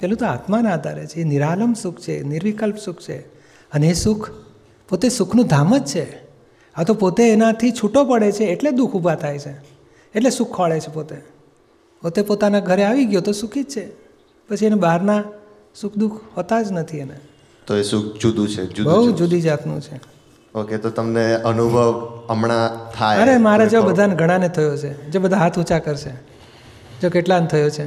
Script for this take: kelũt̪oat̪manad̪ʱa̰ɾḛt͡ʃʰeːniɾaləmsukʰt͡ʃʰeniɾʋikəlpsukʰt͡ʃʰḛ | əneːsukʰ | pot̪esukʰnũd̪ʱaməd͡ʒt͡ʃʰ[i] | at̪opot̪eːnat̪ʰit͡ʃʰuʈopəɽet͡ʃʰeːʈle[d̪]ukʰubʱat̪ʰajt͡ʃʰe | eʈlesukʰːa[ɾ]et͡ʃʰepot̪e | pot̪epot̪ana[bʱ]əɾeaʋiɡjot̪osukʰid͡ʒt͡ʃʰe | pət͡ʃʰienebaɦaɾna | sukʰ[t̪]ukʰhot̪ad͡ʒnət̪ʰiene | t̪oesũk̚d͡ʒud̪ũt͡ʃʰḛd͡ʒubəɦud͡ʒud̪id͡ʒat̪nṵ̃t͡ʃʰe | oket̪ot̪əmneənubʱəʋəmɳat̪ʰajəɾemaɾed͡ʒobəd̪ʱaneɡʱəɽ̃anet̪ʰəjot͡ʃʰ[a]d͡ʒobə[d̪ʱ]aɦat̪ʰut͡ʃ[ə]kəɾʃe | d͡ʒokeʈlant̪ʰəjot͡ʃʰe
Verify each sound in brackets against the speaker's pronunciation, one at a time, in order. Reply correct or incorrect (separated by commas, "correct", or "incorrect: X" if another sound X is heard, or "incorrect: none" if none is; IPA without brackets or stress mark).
incorrect: e, correct, incorrect: ɭ, incorrect: ɡʱ, incorrect: d̪, incorrect: e, correct, incorrect: a